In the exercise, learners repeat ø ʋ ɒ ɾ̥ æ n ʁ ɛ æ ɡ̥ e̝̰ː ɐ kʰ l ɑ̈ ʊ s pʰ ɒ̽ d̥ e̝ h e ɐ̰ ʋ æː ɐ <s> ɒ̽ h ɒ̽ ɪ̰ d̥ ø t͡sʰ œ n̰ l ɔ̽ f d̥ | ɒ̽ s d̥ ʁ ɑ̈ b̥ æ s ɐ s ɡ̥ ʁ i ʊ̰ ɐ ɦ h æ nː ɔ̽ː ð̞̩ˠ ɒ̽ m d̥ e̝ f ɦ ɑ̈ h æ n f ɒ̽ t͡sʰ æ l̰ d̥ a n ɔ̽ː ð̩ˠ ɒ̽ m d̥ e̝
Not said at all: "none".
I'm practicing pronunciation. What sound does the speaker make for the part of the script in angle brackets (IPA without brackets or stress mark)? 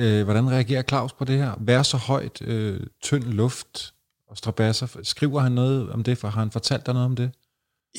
s